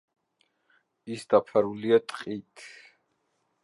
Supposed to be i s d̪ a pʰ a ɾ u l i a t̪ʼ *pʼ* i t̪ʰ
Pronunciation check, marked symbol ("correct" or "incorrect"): incorrect